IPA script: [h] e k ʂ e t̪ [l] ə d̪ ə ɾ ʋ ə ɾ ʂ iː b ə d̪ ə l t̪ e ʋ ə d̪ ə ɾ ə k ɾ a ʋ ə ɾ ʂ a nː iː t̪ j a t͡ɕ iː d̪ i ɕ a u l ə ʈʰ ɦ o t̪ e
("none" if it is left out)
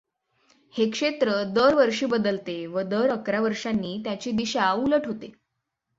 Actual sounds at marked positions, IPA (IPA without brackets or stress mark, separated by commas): h, ɾ